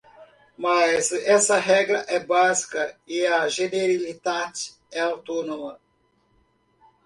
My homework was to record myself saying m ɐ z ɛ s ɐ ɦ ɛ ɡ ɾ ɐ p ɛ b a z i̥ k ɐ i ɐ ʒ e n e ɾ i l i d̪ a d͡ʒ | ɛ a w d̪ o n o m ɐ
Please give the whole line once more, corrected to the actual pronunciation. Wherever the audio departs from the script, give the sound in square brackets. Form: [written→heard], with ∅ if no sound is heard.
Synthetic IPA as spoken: m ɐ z ɛ s ɐ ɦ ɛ ɡ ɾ ɐ [p→ʔ] ɛ b a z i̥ k ɐ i ɐ ʒ e n e ɾ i l i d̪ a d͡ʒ | ɛ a w [d̪→t̪] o n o m ɐ